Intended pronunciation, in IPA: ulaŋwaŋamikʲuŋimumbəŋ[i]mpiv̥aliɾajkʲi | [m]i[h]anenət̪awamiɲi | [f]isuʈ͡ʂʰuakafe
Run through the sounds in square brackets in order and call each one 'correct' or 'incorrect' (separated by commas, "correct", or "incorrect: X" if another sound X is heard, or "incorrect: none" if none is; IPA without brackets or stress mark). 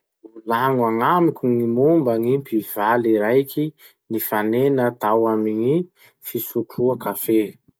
correct, incorrect: n, incorrect: f, correct